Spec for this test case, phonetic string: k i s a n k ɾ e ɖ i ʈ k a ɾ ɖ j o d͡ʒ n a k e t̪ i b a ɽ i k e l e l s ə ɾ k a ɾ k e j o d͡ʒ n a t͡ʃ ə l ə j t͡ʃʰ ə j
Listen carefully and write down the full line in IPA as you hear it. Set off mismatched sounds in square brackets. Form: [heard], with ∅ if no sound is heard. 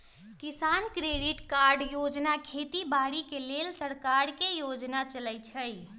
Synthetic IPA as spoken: k i s a n k ɾ e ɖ i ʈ k a ɾ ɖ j o d͡ʒ n a [kʰ] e t̪ i b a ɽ i k e l e l s ə ɾ k a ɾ k e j o d͡ʒ n a t͡ʃ ə l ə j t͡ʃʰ ə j